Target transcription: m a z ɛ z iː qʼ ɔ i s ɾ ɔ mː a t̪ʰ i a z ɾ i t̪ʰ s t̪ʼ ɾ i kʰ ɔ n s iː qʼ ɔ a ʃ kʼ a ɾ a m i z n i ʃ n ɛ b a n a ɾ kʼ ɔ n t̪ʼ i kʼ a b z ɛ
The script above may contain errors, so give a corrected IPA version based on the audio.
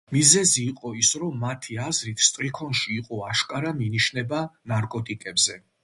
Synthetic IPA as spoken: m i z ɛ z iː qʼ ɔ i s ɾ ɔ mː a t̪ʰ i a z ɾ i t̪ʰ s t̪ʼ ɾ i kʰ ɔ n ʃ iː qʼ ɔ a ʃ kʼ a ɾ a m i n i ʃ n ɛ b a n a ɾ kʼ ɔ t̪ʼ i kʼ ɛ b z ɛ